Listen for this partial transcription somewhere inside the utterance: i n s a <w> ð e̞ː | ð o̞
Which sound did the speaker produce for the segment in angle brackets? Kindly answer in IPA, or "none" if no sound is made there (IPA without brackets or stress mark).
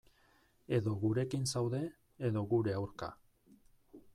w